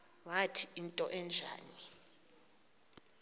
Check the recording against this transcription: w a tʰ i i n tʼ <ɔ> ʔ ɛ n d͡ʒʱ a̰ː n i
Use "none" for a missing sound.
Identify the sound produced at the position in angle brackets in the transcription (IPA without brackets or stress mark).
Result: ɔ